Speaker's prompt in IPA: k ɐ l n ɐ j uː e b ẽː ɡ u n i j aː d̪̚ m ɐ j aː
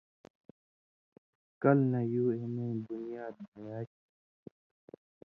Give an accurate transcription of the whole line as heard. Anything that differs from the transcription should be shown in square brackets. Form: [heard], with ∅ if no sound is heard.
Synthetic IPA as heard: k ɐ l n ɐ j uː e [m] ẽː [b] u n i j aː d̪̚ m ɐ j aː